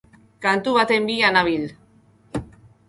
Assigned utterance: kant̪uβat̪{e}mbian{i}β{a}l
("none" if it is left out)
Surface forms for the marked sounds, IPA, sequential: e, a, i

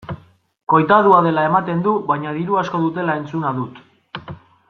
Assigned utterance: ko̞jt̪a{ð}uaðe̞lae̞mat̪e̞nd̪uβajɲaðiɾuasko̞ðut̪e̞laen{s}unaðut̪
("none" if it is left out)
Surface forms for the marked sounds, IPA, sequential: ð, t͡s

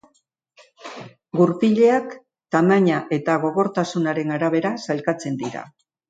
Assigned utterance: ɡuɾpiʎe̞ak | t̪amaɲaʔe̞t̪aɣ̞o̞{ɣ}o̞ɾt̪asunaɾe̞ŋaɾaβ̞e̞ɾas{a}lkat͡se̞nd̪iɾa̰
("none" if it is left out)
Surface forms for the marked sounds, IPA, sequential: ɣ, a

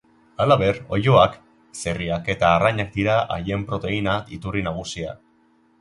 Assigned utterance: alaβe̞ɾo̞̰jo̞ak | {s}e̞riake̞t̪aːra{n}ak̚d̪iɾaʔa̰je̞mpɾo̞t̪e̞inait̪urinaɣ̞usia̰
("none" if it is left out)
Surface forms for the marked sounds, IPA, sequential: s, ɲ

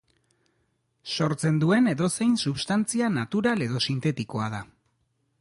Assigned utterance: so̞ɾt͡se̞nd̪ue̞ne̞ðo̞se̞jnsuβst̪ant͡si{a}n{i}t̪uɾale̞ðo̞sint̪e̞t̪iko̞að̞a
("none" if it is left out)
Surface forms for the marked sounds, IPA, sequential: a, a

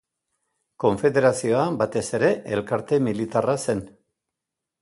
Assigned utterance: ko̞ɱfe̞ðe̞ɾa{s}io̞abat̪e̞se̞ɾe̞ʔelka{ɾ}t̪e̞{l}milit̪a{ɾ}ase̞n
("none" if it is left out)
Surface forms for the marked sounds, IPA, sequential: s, ɾ, none, r

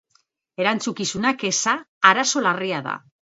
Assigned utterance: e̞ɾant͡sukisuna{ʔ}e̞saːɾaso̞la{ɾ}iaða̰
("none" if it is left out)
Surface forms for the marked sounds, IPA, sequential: k, r

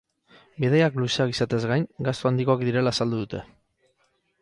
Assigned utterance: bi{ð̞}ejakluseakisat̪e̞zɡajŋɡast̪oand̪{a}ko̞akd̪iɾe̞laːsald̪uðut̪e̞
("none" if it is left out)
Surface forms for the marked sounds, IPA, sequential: ð̞, i

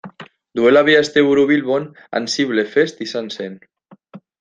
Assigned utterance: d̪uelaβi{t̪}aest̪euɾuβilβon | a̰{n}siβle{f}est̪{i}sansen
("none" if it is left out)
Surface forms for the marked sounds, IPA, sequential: none, n, f, i

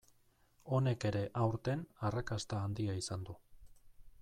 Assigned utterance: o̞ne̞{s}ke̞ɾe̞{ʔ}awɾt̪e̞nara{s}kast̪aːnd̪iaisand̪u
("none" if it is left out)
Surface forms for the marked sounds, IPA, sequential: none, ʔ, none

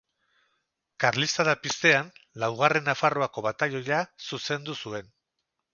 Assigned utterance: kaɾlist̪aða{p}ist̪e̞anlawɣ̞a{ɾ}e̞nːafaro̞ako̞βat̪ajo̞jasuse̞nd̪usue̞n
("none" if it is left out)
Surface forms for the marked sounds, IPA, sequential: p, r

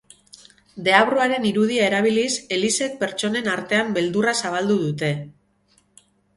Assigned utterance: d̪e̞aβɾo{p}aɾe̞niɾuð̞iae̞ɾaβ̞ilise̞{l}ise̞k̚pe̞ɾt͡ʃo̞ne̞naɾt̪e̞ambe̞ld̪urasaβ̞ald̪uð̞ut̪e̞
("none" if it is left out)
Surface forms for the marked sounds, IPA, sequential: none, l

